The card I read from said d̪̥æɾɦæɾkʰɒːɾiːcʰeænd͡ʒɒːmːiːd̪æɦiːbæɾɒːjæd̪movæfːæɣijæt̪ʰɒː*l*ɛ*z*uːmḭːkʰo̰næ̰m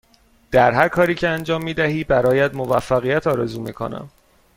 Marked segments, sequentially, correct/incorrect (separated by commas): incorrect, correct